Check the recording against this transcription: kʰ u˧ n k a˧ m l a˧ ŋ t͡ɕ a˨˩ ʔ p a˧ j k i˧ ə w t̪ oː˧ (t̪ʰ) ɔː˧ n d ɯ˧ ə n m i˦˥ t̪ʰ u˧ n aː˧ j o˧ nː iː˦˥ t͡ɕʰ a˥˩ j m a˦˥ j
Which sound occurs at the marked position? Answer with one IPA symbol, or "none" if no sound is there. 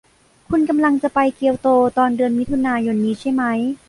t̪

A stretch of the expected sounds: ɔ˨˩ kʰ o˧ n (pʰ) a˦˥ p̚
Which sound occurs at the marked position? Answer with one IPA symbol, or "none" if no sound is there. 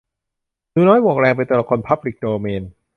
pʰ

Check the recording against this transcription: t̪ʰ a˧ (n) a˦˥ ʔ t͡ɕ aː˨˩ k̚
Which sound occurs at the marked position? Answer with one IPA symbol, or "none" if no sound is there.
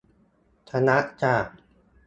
n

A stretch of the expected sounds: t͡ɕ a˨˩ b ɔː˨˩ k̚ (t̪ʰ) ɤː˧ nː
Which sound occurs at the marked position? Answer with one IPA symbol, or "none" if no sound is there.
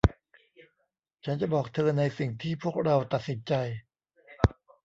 t̪ʰ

